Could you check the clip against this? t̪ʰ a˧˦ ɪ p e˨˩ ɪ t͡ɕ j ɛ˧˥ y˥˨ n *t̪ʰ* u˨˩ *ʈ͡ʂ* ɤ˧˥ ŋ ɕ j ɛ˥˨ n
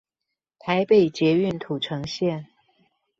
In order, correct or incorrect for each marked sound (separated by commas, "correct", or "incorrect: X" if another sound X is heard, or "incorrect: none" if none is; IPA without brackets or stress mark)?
correct, incorrect: ʈ͡ʂʰ